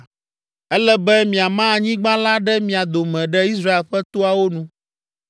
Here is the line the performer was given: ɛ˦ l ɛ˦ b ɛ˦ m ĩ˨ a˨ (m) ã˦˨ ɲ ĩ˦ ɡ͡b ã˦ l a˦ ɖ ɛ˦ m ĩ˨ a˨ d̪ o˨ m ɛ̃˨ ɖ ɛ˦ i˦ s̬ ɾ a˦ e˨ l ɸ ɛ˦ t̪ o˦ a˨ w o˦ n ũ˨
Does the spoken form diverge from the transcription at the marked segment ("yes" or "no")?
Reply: no